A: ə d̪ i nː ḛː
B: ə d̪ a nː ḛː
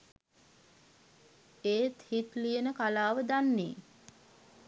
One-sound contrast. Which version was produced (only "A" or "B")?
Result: B